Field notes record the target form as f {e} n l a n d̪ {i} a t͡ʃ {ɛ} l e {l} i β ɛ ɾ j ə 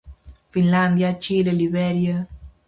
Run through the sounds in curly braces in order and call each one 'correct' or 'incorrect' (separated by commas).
incorrect, incorrect, incorrect, correct